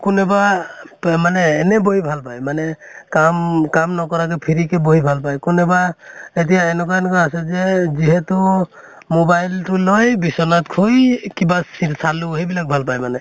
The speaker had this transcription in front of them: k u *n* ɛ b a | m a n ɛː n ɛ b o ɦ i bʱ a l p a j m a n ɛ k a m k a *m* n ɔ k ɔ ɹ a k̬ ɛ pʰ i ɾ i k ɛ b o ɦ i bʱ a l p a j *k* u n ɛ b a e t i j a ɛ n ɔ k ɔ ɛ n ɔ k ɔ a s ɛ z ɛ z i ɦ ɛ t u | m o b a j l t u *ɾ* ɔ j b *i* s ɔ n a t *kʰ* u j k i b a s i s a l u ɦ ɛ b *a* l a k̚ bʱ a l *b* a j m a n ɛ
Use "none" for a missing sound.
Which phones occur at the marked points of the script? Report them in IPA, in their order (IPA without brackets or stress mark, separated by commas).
n, m, k, l, i, kʰ, i, p